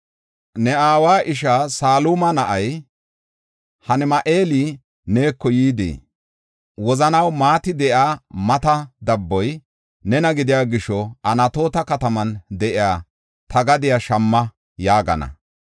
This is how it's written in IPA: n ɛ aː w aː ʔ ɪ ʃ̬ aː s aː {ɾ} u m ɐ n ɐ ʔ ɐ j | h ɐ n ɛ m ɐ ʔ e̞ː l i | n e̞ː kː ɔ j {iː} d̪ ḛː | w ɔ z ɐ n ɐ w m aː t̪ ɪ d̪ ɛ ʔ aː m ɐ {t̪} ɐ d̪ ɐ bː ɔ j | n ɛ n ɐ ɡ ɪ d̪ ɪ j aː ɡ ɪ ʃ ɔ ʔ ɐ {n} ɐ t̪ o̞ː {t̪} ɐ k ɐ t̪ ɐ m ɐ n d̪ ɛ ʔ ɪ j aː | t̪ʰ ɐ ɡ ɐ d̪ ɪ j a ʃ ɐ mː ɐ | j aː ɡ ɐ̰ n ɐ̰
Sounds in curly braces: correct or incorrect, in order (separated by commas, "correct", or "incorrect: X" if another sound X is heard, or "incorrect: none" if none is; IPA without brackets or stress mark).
incorrect: l, correct, correct, correct, correct